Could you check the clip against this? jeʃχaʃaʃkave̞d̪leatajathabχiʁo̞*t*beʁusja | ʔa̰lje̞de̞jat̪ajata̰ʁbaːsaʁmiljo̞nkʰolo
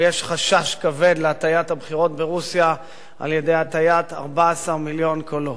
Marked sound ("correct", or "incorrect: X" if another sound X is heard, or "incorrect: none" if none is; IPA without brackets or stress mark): correct